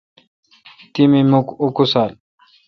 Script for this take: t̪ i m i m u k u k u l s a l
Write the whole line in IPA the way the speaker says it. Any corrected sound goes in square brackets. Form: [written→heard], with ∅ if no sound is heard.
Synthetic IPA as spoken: t̪ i m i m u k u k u [l→∅] s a l

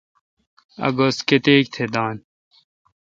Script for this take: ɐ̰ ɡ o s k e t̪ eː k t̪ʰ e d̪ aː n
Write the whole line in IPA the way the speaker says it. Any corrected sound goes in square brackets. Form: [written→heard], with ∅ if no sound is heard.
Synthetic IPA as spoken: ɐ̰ ɡ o s k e t̪ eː k t̪ʰ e d̪ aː n

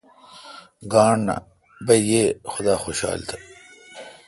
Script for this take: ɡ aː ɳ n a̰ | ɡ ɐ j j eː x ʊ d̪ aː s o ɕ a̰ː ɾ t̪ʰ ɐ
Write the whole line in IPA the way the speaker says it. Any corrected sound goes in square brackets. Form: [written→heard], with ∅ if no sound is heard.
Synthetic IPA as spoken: ɡ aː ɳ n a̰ | [ɡ→b] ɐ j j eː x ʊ d̪ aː [s→x] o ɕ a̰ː [ɾ→l] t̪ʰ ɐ

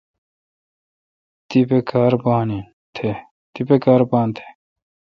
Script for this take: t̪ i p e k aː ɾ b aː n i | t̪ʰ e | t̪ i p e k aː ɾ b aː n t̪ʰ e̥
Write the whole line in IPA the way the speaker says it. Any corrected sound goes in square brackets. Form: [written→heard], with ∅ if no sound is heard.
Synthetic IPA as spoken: t̪ i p e k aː ɾ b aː n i | t̪ʰ e | t̪ i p e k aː ɾ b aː n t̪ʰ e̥

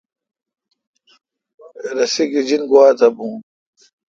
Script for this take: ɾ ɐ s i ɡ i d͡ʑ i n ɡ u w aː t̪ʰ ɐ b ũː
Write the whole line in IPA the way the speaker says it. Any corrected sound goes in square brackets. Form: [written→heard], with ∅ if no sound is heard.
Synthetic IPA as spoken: ɾ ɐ s i ɡ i d͡ʑ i n ɡ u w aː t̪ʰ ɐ b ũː

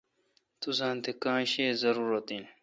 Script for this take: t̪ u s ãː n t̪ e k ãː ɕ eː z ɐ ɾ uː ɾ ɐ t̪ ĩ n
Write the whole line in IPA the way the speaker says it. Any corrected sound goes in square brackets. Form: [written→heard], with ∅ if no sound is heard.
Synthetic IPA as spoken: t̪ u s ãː n t̪ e k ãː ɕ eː z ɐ ɾ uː ɾ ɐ t̪ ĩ n

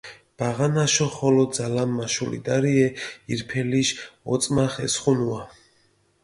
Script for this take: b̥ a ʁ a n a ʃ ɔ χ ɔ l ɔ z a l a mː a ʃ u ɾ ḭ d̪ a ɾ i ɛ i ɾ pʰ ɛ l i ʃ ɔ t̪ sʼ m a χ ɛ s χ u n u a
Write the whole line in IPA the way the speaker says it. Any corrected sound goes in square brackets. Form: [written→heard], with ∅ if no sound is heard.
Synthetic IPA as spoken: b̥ a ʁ a n a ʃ ɔ χ ɔ l ɔ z a l a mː a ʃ u [ɾ→l] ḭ d̪ a ɾ i ɛ i ɾ pʰ ɛ l i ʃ ɔ t̪ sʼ m a χ ɛ s χ u n u a

